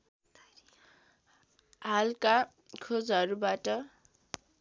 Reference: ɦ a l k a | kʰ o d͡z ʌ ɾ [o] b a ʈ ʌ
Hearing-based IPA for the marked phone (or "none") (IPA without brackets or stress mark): u